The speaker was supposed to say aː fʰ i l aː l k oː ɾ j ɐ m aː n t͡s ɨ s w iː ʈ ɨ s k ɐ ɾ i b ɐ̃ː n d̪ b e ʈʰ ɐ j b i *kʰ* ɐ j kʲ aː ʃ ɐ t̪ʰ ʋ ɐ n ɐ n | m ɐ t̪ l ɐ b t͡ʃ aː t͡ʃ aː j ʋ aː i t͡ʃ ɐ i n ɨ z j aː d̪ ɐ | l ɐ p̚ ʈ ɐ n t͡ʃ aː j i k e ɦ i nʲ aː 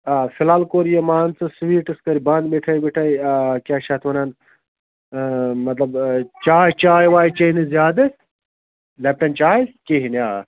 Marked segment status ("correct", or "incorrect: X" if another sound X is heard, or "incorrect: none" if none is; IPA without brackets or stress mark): incorrect: ʈʰ